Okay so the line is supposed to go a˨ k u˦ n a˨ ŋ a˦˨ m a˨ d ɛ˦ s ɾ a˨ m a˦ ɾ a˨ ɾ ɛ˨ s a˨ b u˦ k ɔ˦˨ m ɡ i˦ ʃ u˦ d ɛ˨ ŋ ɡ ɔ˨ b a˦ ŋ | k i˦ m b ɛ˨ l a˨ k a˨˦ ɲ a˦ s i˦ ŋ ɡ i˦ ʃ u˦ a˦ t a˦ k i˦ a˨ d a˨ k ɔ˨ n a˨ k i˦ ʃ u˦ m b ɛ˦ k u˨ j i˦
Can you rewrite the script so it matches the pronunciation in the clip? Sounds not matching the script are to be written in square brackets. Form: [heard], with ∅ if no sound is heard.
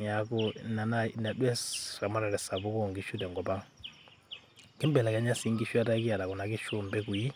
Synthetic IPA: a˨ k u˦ n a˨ [n] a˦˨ [n] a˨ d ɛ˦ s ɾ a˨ m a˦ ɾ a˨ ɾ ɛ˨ s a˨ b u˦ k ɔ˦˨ [ŋ] ɡ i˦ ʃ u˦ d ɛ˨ ŋ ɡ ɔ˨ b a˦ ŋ | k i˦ m b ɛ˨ l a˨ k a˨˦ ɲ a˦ s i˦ ŋ ɡ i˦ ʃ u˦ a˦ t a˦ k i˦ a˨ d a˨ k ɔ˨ n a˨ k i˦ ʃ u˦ m b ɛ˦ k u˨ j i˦

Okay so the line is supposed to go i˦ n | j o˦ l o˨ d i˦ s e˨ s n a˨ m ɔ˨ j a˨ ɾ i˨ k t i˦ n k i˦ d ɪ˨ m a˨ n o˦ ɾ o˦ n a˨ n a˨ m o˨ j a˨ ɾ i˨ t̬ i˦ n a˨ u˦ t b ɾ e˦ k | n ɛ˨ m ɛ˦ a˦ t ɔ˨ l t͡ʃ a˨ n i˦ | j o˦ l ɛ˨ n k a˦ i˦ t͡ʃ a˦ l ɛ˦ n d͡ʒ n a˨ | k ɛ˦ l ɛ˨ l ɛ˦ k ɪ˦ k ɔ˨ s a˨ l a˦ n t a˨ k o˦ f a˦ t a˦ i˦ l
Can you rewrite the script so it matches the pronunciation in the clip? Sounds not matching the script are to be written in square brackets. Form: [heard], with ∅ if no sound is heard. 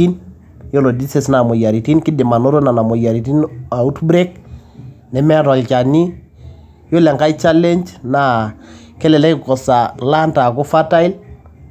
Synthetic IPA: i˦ n | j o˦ l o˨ d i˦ s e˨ s n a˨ m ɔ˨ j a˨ ɾ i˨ [∅] t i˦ n k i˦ d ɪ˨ m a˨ n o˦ ɾ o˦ n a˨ n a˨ m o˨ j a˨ ɾ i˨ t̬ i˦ n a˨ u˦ t b ɾ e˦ k | n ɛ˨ m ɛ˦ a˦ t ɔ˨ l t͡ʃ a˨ n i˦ | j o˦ l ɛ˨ [ŋ] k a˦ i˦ t͡ʃ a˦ l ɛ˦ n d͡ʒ n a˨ | k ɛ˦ l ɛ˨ l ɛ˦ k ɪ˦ k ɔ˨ s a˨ l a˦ n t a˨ k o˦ f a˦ t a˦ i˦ l

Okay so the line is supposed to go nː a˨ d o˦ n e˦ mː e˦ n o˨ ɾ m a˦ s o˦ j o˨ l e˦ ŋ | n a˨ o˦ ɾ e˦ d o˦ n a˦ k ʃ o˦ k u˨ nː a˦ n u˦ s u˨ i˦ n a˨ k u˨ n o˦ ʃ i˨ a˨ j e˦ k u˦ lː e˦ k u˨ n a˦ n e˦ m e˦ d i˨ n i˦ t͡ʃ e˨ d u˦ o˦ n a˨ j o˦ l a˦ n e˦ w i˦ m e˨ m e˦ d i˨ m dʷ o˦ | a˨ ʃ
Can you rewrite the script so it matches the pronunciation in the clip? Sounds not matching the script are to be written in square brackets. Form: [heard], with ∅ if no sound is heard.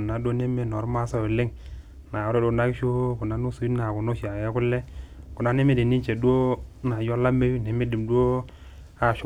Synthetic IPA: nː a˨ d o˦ n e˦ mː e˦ n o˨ ɾ m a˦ s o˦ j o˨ l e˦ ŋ | n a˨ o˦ ɾ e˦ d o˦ n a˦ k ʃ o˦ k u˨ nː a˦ n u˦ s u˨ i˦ n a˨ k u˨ n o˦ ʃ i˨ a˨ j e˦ k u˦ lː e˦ k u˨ n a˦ n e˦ m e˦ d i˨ n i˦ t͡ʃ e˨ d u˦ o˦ n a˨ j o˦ l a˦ [m] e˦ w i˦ [n] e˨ m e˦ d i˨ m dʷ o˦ | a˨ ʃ

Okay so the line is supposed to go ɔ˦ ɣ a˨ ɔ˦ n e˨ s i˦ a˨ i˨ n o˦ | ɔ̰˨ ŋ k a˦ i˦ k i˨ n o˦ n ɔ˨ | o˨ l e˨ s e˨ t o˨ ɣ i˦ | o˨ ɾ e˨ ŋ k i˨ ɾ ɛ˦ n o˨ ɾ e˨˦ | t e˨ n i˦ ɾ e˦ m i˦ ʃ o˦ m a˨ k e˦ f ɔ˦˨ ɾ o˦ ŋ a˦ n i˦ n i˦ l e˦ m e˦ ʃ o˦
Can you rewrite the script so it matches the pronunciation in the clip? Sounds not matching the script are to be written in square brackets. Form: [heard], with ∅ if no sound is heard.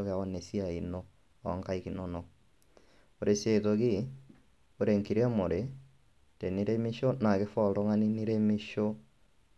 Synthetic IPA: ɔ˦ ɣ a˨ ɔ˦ n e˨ s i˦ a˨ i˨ n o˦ | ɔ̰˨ ŋ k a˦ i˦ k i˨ n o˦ n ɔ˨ | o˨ [ɾ] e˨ s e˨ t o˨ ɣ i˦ | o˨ ɾ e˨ ŋ k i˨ ɾ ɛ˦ [m] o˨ ɾ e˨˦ | t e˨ n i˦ ɾ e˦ m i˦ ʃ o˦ [n] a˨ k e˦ f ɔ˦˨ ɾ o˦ ŋ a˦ n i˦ n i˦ [ɾ] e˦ m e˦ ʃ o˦

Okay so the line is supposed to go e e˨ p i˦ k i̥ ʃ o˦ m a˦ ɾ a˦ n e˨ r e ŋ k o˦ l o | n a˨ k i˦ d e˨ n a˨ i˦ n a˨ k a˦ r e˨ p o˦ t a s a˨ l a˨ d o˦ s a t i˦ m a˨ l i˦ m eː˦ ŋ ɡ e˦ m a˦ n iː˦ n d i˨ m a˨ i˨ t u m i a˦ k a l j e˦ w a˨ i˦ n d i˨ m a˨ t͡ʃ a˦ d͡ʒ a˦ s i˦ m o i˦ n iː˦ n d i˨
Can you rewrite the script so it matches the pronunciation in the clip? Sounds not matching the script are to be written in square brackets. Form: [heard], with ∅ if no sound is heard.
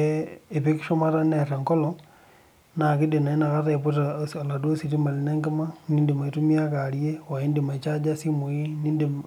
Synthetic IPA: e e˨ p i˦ k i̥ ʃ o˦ m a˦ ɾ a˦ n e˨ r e ŋ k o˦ l o | n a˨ k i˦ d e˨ n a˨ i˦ n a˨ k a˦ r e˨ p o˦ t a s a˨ l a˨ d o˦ s [i] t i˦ m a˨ l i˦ [n] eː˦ ŋ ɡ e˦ m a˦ n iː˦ n d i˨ m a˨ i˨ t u m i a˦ k a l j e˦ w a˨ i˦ n d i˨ m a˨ t͡ʃ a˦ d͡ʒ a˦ s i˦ m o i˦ n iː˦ n d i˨

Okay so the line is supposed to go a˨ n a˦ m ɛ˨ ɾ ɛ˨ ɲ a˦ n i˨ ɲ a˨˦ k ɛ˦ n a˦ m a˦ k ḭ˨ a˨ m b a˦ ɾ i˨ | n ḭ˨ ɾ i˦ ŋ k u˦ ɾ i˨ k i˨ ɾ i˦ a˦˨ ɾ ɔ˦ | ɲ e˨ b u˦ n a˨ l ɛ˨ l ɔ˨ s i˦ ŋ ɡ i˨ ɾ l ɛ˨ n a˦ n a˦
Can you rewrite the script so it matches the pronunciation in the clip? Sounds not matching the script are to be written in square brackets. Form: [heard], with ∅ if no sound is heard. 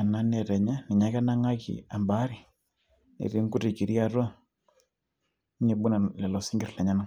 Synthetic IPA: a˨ n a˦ [n] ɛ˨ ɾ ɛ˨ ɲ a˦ n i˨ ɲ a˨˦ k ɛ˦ n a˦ [ŋ] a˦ k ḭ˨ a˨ m b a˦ ɾ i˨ | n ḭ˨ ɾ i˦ ŋ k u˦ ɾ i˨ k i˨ ɾ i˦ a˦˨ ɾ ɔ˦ | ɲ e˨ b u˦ n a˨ l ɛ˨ l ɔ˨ s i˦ ŋ ɡ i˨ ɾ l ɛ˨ [ɲ] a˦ n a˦

